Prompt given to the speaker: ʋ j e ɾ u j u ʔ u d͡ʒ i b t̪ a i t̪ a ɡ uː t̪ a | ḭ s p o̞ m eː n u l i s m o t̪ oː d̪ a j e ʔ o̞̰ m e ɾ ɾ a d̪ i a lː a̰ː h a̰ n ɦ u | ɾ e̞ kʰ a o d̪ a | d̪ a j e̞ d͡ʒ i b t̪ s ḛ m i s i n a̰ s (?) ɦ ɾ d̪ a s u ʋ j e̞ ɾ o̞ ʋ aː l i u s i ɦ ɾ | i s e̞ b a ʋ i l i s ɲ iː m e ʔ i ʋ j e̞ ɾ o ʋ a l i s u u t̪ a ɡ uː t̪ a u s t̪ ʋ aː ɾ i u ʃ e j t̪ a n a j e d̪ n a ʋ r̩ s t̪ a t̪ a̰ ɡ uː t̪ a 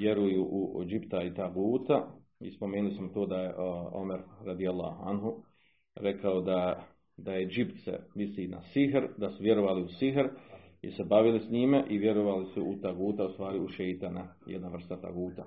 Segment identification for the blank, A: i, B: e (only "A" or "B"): A